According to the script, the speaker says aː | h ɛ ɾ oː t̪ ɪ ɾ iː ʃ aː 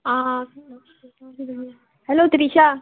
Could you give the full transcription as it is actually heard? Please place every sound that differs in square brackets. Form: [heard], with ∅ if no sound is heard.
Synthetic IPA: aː | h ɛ [l] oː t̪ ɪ ɾ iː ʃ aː